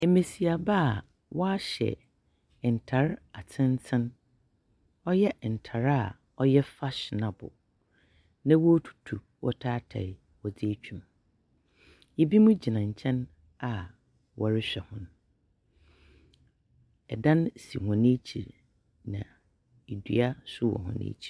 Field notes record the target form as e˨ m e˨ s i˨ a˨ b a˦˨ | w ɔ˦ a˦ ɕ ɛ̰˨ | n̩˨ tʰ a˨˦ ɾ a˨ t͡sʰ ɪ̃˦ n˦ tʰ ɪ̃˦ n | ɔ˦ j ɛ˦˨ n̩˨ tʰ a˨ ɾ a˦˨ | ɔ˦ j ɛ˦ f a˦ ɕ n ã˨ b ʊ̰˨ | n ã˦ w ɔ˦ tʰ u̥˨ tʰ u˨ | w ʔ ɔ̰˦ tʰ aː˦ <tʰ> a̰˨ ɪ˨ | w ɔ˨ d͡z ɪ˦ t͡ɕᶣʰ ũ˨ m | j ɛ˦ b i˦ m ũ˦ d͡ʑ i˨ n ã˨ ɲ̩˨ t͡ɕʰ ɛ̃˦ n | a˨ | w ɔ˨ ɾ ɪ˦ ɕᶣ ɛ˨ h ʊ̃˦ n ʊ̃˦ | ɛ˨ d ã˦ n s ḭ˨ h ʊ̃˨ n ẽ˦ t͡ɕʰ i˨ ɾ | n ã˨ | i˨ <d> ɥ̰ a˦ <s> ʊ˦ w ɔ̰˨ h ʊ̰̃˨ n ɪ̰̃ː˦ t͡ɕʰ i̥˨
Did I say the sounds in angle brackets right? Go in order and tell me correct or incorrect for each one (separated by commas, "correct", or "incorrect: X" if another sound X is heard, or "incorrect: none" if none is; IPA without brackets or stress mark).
correct, correct, correct